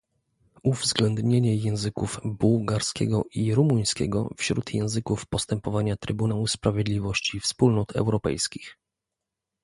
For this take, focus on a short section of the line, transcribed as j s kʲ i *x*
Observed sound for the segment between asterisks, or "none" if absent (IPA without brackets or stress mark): x